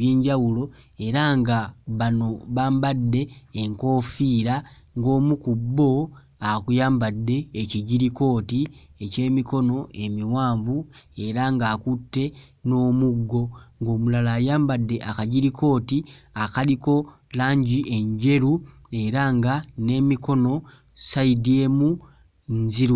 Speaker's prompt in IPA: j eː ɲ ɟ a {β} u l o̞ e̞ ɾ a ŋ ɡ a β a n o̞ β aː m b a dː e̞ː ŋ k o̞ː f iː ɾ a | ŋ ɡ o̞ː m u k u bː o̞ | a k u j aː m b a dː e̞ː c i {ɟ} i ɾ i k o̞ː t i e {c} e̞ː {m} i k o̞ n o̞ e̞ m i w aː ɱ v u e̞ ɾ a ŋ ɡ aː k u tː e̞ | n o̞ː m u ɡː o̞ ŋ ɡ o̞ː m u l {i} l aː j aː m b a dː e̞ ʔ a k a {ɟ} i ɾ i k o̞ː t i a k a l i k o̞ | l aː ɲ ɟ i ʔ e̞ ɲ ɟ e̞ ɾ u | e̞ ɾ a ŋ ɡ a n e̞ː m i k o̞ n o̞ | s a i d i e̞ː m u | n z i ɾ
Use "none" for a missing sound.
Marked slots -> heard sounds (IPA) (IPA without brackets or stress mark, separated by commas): w, ɟ, c, m, a, ɟ